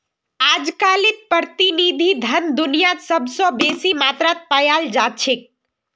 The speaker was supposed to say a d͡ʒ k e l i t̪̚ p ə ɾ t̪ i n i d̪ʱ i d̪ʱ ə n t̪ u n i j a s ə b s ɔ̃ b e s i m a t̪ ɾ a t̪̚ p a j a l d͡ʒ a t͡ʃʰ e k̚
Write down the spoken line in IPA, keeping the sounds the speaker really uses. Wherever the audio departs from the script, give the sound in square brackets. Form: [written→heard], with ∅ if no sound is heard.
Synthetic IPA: a d͡ʒ k [e→a] l i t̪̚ p ə ɾ t̪ i n i d̪ʱ i d̪ʱ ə n [t̪→d̪] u n i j a s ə b s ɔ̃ b e s i m a t̪ ɾ a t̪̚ p a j a l d͡ʒ a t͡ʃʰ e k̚